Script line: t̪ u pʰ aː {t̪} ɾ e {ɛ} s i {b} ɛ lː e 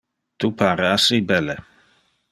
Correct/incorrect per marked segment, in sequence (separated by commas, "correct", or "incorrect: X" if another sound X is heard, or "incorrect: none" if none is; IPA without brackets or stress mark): incorrect: none, incorrect: a, correct